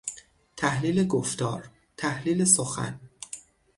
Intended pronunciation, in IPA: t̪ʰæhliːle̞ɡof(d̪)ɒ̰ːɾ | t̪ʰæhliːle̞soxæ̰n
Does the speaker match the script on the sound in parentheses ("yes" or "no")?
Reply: no